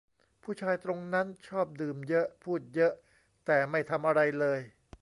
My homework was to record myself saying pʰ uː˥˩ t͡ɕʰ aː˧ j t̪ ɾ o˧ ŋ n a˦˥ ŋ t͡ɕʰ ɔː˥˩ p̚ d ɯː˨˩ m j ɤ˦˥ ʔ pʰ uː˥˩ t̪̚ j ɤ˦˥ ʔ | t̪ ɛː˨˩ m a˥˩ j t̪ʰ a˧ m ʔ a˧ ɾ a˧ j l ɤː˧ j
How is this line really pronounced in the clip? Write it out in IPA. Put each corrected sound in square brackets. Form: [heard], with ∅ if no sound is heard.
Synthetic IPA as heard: pʰ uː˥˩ t͡ɕʰ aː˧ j t̪ ɾ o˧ ŋ n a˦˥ [n] t͡ɕʰ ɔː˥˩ p̚ d ɯː˨˩ m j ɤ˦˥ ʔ pʰ uː˥˩ t̪̚ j ɤ˦˥ ʔ | t̪ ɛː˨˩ m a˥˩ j t̪ʰ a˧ m ʔ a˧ ɾ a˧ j l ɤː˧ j